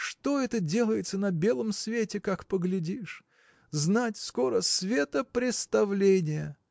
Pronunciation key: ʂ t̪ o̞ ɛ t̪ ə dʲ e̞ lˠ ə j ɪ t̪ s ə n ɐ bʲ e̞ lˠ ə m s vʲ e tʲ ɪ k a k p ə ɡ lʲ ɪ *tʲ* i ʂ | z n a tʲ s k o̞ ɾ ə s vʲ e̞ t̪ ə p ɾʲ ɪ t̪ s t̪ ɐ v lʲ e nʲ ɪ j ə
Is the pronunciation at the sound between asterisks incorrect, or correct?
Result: incorrect: dʲ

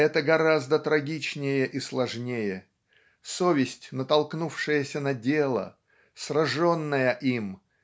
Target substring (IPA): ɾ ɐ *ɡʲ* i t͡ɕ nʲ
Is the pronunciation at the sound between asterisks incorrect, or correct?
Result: correct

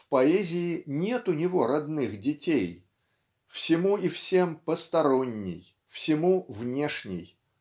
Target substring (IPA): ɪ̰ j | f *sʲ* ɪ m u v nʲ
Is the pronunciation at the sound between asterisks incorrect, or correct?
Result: correct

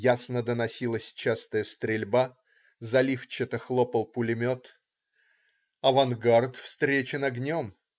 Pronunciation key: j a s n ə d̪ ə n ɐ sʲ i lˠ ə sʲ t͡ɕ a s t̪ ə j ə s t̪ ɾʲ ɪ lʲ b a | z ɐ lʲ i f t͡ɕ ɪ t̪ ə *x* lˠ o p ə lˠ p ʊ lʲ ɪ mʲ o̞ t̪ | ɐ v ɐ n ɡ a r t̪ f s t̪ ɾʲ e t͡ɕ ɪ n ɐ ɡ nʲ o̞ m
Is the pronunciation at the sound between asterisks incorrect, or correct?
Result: correct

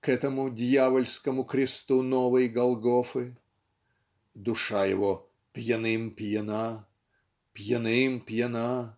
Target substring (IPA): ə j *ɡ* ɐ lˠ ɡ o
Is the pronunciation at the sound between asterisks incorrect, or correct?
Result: correct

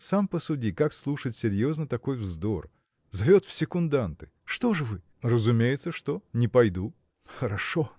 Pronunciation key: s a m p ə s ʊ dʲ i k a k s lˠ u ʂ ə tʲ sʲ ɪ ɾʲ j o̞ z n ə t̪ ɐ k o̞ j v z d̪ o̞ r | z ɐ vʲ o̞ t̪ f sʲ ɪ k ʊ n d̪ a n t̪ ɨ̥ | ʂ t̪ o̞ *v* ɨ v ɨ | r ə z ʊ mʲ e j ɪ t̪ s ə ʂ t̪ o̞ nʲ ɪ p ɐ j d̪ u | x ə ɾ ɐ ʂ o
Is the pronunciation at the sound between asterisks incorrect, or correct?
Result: incorrect: ʐ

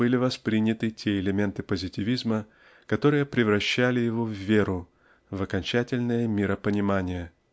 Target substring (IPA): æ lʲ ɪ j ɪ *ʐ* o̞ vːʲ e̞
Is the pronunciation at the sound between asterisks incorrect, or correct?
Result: incorrect: v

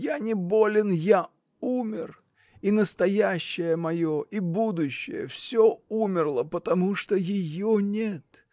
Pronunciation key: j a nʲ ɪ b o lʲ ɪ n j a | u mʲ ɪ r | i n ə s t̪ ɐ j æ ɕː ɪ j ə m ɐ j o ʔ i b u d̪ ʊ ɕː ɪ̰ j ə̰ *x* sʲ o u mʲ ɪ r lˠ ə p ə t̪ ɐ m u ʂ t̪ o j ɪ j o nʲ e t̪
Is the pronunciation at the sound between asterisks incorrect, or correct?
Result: incorrect: f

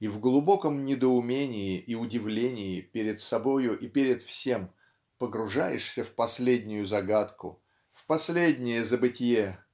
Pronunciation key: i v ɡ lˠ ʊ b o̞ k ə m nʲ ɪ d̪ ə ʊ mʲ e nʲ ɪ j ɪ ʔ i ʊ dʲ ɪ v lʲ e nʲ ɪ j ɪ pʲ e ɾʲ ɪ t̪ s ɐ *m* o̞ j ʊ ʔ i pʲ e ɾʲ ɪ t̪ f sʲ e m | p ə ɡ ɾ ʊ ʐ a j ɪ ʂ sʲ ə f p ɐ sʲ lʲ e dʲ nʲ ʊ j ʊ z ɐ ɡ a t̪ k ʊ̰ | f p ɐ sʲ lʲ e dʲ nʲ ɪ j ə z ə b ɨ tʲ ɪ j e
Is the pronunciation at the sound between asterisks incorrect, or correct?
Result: incorrect: b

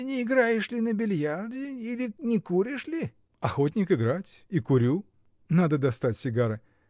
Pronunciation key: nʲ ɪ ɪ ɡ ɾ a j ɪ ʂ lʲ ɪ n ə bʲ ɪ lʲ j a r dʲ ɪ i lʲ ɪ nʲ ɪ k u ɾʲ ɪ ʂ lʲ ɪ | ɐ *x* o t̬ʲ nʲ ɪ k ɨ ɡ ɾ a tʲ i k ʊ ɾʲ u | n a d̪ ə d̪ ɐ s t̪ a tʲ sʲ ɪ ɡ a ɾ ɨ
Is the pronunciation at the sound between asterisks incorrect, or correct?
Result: correct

